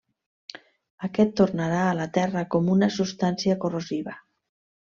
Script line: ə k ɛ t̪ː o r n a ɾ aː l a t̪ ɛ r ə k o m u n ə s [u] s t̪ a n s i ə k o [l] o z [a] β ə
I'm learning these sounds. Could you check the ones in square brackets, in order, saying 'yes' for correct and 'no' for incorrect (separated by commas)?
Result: yes, no, no